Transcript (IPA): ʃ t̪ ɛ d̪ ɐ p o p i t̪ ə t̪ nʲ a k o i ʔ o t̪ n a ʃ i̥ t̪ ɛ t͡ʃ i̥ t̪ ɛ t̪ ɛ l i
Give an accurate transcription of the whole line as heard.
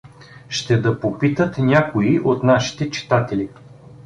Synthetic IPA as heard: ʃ t̪ ɛ d̪ ɐ p o p i t̪ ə t̪ nʲ a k o i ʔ o t̪ n a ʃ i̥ t̪ ɛ t͡ʃ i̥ t̪ a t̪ ɛ l i